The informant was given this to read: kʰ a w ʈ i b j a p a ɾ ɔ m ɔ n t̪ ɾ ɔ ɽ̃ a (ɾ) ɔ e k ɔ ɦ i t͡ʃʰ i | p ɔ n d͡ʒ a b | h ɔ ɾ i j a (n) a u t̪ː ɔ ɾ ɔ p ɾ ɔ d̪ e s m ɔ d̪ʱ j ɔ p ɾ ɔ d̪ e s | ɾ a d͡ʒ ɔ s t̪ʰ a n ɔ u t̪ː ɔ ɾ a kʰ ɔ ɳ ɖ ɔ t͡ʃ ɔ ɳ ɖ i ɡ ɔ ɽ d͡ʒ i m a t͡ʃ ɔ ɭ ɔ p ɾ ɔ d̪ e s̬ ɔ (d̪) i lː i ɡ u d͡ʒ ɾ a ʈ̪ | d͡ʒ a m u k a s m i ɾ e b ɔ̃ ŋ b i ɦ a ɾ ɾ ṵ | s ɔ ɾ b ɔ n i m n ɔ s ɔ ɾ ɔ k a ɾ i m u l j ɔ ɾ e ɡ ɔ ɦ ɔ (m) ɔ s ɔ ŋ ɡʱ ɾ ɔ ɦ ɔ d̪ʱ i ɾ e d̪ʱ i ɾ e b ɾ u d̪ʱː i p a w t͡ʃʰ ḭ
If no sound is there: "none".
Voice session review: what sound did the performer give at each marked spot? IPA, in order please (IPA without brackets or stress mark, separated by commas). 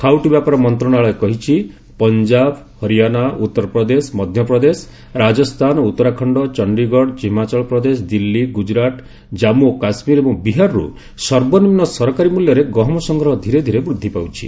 ɭ, n, d̪, m